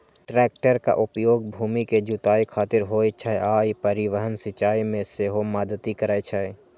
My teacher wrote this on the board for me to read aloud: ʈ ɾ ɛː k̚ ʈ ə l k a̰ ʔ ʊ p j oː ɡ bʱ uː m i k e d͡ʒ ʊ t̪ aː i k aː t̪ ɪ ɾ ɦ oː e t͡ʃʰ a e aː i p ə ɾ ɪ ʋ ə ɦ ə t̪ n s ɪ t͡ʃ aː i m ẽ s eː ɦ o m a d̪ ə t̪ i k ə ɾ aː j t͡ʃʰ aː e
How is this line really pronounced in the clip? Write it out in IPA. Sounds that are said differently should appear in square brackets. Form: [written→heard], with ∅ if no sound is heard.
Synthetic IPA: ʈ ɾ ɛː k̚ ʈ ə [l→ɾ] k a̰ ʔ ʊ p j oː ɡ bʱ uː m i k e d͡ʒ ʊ t̪ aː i [k→kʰ] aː t̪ ɪ ɾ ɦ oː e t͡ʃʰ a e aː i p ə ɾ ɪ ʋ ə ɦ ə [t̪→∅] n s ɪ t͡ʃ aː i m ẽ s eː ɦ o m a d̪ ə t̪ i k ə ɾ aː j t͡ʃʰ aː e